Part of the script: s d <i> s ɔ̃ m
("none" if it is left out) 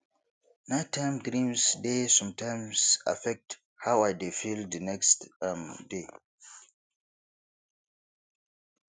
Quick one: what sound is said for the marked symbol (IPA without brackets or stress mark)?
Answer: e